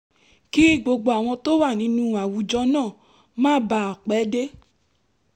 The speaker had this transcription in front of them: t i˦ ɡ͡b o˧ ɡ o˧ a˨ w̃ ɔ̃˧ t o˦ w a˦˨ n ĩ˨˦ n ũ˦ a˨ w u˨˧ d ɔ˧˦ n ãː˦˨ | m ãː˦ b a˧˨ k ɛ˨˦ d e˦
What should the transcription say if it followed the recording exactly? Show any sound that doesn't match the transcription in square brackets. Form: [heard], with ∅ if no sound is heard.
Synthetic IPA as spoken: [k] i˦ ɡ͡b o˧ [ɡ͡b] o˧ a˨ w̃ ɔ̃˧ t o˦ w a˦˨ n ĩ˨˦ n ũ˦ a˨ w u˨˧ [d͡ʒ] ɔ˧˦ n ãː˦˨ | m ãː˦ b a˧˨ [k͡p] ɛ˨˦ d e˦

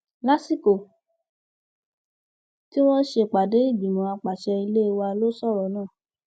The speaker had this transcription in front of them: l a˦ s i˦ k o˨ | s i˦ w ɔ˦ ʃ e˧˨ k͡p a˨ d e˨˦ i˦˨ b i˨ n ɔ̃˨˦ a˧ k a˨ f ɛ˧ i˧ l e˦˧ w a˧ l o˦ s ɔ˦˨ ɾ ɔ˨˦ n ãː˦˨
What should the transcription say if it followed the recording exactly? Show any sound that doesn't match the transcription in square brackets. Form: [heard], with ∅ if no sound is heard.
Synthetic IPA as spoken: l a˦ s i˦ k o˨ | [t] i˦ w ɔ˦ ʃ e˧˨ k͡p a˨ d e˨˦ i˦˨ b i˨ [m] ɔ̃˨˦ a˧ [k͡p] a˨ [ʃ] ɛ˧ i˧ l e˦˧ w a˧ l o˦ s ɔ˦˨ ɾ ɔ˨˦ n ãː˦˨

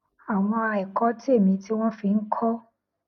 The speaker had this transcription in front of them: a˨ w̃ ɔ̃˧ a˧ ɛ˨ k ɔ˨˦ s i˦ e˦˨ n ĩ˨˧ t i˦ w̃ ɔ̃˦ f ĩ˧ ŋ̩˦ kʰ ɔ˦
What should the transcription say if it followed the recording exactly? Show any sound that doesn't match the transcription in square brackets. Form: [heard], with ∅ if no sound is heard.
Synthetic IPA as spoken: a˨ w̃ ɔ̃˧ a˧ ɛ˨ k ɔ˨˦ [t] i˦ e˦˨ [m] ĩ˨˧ t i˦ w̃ ɔ̃˦ f [i˧] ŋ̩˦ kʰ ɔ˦

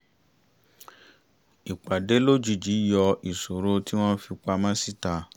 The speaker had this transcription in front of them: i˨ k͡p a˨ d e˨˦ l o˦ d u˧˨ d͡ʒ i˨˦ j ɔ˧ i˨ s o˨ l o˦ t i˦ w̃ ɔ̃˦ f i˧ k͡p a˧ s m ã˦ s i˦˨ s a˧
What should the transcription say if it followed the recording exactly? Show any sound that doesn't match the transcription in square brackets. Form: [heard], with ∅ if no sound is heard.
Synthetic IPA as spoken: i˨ k͡p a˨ d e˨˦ l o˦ [d͡ʒ] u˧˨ d͡ʒ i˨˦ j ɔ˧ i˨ s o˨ [ɾ] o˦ t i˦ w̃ ɔ̃˦ f i˧ k͡p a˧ [∅] m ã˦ s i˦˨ [t] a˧

